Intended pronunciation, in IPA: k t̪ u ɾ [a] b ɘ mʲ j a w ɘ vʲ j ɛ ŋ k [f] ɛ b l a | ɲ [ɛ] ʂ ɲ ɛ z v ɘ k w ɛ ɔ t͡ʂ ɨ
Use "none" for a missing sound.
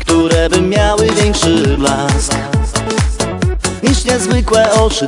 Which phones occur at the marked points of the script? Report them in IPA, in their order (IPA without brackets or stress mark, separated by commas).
ɛ, ʂ, i